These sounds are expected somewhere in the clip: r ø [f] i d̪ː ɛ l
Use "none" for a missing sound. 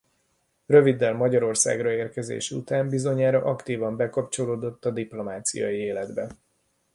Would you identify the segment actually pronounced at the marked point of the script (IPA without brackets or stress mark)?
v